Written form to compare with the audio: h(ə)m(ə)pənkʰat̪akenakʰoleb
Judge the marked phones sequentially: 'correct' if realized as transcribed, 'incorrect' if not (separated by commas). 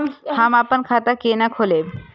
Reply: incorrect, incorrect